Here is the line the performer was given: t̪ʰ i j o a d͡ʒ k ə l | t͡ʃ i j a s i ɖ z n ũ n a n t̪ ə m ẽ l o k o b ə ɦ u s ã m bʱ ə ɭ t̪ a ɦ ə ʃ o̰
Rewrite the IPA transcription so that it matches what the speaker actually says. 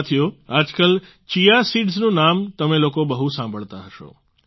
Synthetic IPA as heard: t̪ʰ i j o a d͡ʒ k ə l | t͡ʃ i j a s i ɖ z n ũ n a m t̪ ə m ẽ l o k o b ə ɦ u s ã m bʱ ə ɭ t̪ a ɦ ə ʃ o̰